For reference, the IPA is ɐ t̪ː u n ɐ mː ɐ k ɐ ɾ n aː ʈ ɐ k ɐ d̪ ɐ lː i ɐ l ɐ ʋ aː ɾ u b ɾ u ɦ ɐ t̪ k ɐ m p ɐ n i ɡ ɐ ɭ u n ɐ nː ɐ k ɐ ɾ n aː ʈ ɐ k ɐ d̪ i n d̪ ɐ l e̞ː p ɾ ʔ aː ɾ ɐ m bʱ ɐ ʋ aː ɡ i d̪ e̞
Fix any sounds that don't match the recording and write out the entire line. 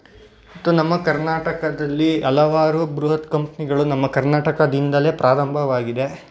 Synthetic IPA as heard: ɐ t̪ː u n ɐ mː ɐ k ɐ ɾ n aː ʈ ɐ k ɐ d̪ ɐ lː i ɐ l ɐ ʋ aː ɾ u b ɾ u ɦ ɐ t̪ k ɐ m p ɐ n i ɡ ɐ ɭ u n ɐ mː ɐ k ɐ ɾ n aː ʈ ɐ k ɐ d̪ i n d̪ ɐ l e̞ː p ɾ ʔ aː ɾ ɐ m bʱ ɐ ʋ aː ɡ i d̪ e̞